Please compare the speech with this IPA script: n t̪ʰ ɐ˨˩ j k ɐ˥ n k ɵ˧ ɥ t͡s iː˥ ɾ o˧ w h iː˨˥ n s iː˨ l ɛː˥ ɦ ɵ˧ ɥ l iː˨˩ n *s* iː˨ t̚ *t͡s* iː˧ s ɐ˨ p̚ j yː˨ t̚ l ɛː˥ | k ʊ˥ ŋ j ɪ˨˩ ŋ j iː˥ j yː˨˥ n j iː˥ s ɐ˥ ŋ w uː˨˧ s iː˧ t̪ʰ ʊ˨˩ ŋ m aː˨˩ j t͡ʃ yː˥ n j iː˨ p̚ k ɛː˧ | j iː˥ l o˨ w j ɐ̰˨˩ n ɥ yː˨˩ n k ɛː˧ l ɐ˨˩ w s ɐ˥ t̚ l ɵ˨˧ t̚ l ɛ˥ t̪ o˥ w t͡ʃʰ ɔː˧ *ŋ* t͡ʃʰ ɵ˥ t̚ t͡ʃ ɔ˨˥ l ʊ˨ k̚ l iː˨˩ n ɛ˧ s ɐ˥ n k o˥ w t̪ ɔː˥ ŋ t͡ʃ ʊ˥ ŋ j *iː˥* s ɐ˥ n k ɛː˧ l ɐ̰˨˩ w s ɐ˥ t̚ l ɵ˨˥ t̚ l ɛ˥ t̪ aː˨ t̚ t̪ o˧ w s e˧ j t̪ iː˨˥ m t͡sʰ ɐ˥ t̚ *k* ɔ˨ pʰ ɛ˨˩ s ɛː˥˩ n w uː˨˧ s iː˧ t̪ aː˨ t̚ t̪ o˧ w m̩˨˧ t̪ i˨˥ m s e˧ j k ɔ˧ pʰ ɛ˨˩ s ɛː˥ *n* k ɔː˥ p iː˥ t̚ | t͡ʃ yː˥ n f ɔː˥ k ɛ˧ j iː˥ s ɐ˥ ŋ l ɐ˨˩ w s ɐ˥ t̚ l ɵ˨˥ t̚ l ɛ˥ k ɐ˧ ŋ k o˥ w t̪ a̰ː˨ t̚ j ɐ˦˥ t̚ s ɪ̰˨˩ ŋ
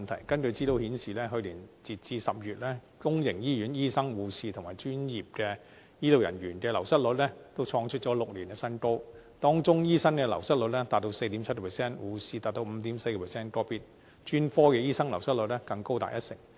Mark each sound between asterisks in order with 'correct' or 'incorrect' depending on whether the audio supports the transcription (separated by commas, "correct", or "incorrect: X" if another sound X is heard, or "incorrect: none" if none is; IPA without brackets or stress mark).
incorrect: t͡s, correct, correct, correct, correct, correct